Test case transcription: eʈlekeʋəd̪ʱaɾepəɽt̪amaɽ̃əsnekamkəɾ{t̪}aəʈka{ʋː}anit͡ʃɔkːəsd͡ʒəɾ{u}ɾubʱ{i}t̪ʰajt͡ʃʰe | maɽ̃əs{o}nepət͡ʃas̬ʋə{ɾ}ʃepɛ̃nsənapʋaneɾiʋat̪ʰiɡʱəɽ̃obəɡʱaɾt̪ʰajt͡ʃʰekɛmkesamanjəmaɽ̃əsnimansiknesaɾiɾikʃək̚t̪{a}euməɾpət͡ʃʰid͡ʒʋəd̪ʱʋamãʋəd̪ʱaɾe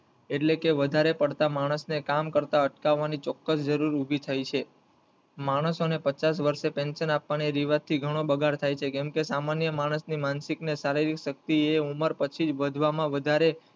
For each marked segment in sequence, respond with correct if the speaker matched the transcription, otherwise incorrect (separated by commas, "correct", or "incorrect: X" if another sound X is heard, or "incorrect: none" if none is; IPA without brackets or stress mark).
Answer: correct, correct, correct, correct, correct, correct, incorrect: i